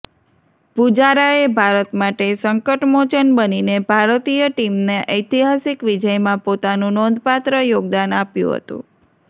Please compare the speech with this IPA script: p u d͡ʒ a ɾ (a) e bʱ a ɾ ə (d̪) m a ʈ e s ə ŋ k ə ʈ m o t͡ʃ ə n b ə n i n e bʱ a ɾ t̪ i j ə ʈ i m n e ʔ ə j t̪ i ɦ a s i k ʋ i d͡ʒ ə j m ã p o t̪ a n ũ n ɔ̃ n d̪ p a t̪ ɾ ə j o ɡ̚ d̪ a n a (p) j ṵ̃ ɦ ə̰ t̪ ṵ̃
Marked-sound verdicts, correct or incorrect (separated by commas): correct, incorrect, correct